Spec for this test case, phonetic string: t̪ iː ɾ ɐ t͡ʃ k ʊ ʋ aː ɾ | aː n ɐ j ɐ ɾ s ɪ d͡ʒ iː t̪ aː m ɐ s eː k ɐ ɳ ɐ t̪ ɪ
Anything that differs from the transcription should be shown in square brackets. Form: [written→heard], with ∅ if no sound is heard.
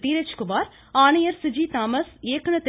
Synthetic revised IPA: t̪ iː ɾ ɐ t͡ʃ k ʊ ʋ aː ɾ | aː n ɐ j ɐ ɾ s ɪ d͡ʒ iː t̪ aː m ɐ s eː k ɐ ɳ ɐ t̪ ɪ